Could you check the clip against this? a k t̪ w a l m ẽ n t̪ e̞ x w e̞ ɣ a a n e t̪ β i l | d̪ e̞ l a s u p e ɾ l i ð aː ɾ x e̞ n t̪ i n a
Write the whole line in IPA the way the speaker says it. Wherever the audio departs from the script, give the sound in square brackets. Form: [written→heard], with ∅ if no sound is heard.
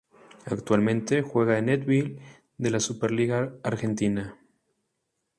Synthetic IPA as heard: a k t̪ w a l m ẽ n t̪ e̞ x w e̞ ɣ a [a→e] n e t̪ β i l | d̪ e̞ l a s u p e ɾ l i [ð→ɣ] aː ɾ x e̞ n t̪ i n a